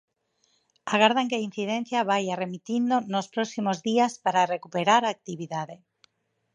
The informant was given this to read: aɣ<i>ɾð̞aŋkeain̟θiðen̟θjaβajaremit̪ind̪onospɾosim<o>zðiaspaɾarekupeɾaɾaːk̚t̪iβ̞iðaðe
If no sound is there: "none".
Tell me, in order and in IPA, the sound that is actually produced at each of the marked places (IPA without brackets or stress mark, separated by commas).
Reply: a, o